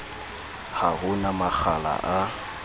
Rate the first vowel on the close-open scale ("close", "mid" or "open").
open